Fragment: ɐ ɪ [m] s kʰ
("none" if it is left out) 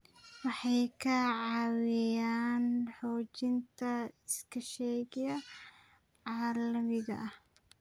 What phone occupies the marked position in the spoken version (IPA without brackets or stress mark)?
none